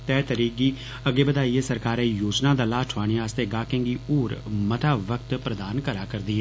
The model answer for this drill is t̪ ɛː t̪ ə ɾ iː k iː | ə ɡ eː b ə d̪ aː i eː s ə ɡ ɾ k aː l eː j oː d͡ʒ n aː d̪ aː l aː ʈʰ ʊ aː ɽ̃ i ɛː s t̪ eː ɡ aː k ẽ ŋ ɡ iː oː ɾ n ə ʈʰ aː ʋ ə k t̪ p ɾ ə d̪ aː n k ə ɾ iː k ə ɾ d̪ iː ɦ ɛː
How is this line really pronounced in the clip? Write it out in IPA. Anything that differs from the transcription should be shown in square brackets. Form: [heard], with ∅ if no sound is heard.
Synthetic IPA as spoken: t̪ ɛː t̪ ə ɾ iː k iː | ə ɡ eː b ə d̪ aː i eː s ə [∅] ɾ k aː [ɾ] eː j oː d͡ʒ n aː d̪ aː l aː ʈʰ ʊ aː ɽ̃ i [aː] s t̪ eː ɡ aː k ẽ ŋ ɡ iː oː ɾ [m] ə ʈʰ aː ʋ ə k t̪ p ɾ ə d̪ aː n k ə ɾ [aː] k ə ɾ d̪ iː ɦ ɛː